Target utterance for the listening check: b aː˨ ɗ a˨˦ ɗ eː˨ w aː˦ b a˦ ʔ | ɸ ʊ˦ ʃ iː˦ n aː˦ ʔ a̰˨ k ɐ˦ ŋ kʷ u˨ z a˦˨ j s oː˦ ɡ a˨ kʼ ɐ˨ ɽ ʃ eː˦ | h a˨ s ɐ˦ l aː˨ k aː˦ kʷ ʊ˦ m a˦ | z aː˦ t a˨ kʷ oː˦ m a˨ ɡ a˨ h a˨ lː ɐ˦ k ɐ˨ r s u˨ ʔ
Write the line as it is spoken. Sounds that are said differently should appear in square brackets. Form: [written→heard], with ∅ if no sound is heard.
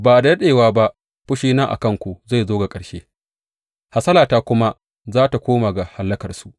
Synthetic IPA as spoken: b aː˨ [ɗ→d] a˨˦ ɗ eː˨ w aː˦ b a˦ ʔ | ɸ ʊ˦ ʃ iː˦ n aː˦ ʔ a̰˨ k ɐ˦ ŋ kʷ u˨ z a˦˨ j [s→z] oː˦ ɡ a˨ kʼ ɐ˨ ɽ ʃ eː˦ | h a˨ s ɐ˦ l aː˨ [k→t] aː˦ kʷ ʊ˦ m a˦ | z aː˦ t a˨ kʷ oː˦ m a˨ ɡ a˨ h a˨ lː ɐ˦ k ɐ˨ r s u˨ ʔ